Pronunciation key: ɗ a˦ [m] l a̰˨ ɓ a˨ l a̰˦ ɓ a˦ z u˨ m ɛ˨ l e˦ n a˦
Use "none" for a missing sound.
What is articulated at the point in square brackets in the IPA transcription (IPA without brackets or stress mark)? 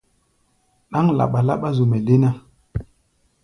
ŋ